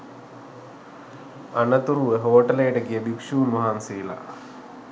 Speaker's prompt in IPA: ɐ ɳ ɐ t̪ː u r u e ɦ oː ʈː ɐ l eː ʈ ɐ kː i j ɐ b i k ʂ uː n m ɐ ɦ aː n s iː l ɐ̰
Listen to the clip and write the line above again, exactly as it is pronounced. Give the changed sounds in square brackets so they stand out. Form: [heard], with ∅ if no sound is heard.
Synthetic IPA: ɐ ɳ ɐ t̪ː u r u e ɦ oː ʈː ɐ l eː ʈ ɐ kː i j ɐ b i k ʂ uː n m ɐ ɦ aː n s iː l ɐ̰